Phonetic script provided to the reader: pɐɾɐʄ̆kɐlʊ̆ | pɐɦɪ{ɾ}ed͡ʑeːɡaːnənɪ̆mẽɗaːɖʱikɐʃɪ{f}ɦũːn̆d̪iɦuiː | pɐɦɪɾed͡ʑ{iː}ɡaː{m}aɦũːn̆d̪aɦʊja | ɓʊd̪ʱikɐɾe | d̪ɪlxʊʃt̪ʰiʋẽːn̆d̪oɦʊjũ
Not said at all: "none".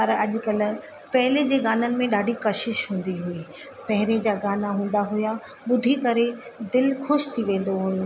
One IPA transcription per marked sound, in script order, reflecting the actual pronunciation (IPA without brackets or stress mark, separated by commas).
l, ʃ, aː, n